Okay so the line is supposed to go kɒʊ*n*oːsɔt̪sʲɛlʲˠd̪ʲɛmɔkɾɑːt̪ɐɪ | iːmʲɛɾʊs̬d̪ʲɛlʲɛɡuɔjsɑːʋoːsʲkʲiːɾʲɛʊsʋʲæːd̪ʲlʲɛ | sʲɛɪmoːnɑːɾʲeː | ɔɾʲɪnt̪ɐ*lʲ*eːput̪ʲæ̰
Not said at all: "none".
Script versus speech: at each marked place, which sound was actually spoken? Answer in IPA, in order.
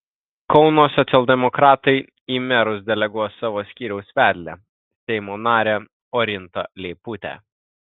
n, lʲ

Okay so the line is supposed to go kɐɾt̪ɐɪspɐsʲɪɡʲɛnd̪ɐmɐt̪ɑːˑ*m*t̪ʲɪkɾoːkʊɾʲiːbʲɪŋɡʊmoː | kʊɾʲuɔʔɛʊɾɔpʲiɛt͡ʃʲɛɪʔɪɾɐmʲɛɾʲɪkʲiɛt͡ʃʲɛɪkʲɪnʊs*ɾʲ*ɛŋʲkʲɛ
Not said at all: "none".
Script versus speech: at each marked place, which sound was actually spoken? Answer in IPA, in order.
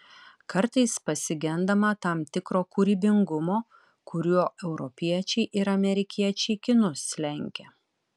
m, lʲ

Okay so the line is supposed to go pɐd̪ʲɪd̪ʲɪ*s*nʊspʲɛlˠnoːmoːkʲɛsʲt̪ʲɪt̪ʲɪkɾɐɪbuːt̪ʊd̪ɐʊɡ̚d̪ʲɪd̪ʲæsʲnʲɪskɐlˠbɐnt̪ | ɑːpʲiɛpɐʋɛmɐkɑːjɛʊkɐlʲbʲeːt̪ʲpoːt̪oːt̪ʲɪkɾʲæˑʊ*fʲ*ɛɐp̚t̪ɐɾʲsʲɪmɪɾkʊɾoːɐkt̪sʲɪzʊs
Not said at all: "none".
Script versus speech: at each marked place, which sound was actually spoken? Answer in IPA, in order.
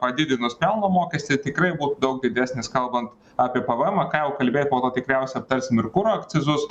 none, sʲ

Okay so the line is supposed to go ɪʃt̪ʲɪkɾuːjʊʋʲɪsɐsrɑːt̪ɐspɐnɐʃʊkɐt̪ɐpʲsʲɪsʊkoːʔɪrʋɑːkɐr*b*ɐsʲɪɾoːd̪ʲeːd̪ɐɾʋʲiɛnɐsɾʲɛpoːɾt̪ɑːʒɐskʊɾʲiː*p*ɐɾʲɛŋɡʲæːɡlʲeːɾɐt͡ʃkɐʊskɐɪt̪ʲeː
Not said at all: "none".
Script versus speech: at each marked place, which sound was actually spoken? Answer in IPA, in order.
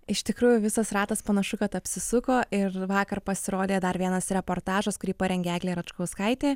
p, p

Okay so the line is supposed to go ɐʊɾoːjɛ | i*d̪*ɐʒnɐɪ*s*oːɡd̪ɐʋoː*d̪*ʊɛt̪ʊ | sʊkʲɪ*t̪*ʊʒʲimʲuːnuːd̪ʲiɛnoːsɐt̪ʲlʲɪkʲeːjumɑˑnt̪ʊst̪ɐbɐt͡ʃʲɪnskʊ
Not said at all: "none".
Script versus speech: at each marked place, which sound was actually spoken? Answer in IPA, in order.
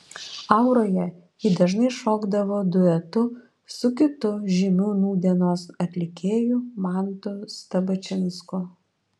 d̪, ʃ, d̪, t̪

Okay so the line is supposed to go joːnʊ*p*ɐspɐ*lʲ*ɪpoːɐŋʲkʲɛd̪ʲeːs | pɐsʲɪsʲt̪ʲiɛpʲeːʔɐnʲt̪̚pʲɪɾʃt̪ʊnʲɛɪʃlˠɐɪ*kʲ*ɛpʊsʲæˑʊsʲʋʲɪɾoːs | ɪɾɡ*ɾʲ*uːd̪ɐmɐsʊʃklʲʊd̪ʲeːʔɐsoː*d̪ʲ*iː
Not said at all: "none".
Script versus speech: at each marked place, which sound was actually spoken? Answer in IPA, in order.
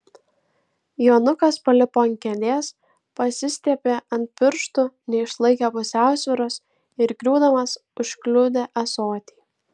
k, lʲ, kʲ, ɾʲ, t̪ʲ

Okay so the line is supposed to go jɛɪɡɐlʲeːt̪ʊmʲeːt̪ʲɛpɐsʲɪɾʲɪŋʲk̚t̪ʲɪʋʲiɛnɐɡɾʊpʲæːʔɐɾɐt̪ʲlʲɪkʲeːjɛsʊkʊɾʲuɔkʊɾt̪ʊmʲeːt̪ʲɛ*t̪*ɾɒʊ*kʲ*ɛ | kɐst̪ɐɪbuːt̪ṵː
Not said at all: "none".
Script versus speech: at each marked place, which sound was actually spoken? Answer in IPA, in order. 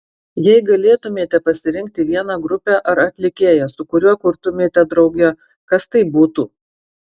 d̪, ɡʲ

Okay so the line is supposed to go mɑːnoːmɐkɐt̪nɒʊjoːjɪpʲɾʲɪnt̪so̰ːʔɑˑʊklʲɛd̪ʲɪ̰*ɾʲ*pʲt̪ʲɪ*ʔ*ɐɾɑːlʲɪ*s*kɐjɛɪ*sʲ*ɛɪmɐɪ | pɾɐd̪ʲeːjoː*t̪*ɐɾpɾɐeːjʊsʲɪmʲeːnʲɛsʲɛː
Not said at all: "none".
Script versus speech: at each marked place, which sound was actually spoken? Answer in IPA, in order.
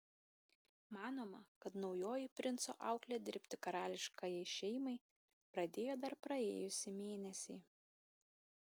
ɾʲ, k, ʃ, ʃʲ, d̪

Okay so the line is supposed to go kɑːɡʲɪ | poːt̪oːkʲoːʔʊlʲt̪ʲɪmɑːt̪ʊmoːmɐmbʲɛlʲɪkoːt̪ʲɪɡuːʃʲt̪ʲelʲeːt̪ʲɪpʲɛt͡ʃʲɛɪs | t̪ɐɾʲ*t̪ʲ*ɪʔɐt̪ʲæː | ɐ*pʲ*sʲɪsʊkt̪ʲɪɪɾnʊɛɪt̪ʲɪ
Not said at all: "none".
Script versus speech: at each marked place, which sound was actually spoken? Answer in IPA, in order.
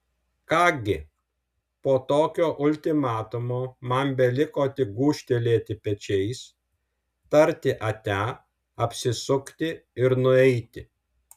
t̪ʲ, pʲ

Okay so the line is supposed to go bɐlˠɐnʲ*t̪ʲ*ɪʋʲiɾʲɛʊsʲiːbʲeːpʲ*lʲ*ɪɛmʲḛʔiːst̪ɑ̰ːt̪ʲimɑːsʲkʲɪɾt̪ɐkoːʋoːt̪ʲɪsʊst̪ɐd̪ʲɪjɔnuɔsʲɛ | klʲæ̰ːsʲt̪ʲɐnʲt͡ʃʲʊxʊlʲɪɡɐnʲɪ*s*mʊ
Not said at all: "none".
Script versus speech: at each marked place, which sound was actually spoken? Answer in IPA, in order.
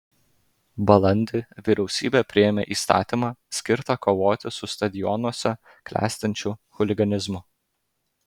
d̪ʲ, ɾʲ, z

